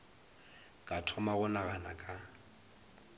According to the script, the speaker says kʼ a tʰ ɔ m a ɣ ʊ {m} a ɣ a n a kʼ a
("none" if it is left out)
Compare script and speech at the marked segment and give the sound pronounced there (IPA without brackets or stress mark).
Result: n